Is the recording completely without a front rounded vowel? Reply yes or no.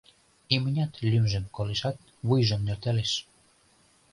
no